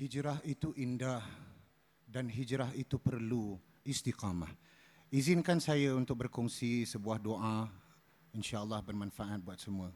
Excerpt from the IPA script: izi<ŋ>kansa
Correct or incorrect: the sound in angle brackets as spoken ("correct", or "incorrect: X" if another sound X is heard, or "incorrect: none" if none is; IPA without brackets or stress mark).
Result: incorrect: n